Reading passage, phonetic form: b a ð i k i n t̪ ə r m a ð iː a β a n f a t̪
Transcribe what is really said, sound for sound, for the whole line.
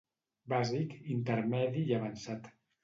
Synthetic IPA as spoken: b a z i k i n t̪ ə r m ɛ ð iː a β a n s a t̪